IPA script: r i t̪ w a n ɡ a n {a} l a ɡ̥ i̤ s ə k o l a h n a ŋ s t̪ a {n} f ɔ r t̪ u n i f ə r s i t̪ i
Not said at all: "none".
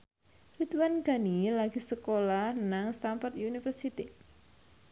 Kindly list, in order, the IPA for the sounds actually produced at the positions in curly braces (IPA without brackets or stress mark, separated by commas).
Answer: i, m